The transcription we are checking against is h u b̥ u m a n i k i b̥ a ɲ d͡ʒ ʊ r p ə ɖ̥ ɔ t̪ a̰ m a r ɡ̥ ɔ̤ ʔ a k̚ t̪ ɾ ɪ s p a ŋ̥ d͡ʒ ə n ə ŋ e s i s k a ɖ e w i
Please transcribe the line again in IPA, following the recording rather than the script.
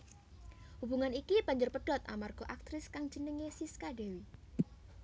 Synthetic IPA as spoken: h u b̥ u ŋ a n i k i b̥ a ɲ d͡ʒ ʊ r p ə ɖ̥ ɔ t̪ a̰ m a r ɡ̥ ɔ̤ ʔ a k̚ t̪ ɾ ɪ s k a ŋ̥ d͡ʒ ə n ə ŋ e s i s k a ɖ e w i